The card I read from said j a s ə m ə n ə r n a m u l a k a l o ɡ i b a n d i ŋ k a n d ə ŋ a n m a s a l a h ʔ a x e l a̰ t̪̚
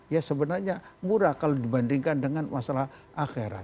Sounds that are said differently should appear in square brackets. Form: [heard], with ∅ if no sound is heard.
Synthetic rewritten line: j a s ə [b] ə n [a] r [ɲ] a m u [ɾ] a k a l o [d] i b a n d i ŋ k a n d ə ŋ a n m a s a l a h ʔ a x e [ɾ] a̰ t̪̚